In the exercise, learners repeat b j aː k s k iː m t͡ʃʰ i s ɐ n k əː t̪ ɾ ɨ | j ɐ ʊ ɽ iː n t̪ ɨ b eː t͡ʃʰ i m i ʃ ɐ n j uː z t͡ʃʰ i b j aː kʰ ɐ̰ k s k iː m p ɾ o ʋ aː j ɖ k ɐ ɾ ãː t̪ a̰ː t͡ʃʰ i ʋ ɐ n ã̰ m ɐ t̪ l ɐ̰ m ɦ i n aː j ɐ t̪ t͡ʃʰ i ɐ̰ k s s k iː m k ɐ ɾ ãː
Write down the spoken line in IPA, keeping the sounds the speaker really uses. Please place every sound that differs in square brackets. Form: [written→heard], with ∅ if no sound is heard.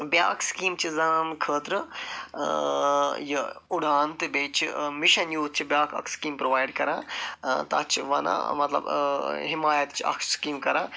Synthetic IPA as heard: b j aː k s k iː m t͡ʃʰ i [s→z] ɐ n [k→kʰ] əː t̪ ɾ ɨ | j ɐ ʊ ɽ [iː→aː] n t̪ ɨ b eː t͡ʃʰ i m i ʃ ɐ n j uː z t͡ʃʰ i b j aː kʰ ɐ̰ k s k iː m p ɾ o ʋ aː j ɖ k ɐ ɾ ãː t̪ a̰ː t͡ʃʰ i ʋ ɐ n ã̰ m ɐ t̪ l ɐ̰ [m→b] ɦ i [n→m] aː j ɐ t̪ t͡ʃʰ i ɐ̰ k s s k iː m k ɐ ɾ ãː